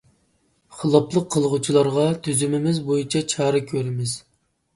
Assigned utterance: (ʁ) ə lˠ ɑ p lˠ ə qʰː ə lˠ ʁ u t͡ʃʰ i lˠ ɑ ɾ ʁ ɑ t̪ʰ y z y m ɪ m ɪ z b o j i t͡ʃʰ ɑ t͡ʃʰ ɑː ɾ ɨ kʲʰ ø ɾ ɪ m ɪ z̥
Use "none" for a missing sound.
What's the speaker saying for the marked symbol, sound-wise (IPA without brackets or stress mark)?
χ